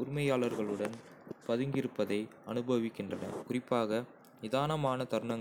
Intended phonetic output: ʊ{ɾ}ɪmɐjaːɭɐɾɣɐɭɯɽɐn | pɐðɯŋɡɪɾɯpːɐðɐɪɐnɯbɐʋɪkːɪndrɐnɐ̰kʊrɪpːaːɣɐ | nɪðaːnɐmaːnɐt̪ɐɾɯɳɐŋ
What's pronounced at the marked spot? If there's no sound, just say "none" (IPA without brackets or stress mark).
ɾ